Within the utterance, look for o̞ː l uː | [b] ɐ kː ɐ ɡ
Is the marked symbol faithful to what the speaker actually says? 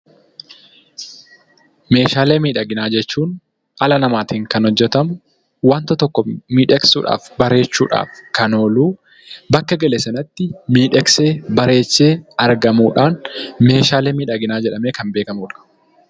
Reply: yes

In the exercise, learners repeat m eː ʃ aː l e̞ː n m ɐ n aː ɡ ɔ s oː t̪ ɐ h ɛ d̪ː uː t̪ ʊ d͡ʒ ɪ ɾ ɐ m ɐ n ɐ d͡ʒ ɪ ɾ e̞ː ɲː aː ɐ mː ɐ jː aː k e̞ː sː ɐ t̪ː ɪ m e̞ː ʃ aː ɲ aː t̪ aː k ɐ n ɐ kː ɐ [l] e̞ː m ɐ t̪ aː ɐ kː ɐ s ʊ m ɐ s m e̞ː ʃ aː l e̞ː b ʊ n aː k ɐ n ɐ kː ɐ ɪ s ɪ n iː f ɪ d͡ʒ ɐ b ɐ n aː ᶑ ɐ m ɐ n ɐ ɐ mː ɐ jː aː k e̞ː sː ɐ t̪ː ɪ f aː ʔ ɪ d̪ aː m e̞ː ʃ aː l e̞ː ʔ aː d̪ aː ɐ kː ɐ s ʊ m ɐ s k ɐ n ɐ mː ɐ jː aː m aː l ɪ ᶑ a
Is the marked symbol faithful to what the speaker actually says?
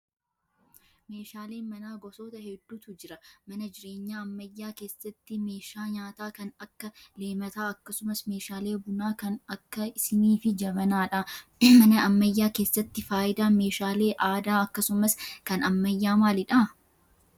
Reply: yes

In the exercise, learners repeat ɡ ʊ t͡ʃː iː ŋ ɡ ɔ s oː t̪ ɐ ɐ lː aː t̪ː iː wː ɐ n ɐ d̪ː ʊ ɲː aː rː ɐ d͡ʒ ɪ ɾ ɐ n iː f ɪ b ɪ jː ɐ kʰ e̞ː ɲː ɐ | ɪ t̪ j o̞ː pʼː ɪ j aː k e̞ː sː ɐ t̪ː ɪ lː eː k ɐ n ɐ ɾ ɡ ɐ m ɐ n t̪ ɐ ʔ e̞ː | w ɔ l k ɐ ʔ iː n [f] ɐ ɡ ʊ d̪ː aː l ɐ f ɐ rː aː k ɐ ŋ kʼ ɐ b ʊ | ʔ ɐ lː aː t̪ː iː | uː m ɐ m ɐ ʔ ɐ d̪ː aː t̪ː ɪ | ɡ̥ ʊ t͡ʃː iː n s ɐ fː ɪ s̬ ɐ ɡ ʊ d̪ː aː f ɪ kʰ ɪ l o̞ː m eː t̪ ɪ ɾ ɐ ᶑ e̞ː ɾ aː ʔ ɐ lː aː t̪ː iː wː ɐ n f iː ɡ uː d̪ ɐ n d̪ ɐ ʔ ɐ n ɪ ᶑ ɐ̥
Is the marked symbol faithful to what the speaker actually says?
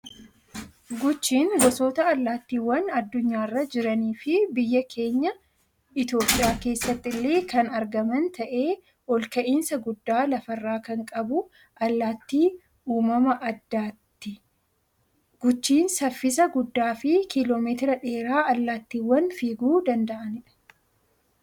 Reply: no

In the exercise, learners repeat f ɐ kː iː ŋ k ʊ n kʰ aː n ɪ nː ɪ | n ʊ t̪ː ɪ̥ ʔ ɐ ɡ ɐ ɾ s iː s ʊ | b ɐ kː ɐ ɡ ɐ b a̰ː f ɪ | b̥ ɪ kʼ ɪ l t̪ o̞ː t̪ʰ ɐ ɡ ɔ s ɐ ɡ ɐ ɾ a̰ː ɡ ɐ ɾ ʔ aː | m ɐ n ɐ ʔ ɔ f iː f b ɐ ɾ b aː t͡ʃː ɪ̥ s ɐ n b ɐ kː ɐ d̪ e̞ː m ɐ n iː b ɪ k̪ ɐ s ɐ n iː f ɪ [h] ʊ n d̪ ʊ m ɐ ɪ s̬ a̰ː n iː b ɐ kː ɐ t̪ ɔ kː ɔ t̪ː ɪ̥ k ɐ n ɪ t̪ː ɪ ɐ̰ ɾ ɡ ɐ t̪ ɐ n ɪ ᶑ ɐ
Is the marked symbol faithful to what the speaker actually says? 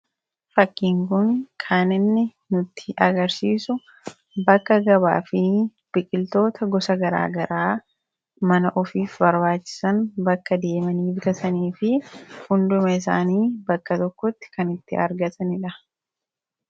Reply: yes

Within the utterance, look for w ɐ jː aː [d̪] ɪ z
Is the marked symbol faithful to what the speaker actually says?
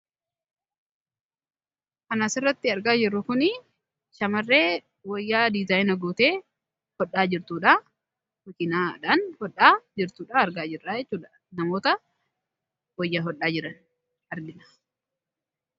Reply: yes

